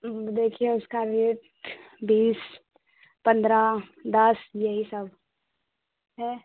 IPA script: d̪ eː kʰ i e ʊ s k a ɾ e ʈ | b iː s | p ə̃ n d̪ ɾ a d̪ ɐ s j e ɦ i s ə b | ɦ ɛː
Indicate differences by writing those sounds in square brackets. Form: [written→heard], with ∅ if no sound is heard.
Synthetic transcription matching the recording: d̪ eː kʰ i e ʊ s k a ɾ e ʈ | b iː s | p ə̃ n d̪ ɾ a d̪ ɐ s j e ɦ i s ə b | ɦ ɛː